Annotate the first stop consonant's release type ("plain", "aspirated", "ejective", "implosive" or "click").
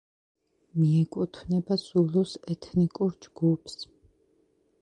ejective